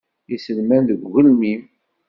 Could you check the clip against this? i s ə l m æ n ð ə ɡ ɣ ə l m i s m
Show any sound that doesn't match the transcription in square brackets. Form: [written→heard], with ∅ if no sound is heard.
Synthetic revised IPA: i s ə l m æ n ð ə ɡ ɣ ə l m i [s→∅] m